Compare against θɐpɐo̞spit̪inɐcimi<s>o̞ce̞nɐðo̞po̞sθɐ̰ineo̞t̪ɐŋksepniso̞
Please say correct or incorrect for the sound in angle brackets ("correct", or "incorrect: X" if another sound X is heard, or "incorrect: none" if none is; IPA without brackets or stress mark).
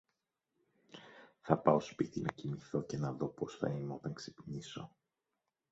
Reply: incorrect: θ